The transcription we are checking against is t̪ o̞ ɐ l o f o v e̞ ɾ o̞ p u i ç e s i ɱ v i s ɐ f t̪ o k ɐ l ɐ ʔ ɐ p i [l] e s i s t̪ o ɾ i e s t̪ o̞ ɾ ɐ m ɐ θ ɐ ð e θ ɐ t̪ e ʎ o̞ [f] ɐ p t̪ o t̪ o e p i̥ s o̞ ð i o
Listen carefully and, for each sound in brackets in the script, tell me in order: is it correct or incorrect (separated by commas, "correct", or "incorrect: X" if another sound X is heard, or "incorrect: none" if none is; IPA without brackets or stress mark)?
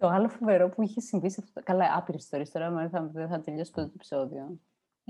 incorrect: ɾ, incorrect: s